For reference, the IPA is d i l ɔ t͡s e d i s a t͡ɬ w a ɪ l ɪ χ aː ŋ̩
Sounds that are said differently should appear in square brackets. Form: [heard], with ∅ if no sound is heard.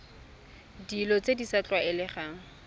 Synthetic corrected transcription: d i l ɔ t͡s e d i s a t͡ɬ w a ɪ l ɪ χ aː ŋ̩